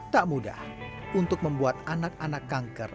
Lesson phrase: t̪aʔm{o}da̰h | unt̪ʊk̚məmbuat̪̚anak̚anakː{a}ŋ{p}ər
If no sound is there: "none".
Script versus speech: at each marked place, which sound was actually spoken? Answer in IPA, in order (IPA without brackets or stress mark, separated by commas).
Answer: u, a, k